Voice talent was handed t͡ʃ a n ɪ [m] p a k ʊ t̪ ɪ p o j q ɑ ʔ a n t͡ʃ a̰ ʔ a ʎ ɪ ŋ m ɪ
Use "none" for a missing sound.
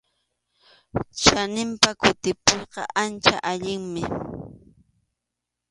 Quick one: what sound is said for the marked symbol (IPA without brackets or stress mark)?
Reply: m